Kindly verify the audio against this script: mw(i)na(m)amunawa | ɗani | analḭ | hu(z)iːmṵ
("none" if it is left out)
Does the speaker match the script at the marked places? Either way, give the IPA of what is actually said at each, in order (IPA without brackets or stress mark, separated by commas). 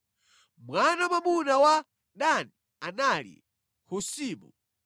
a, m, s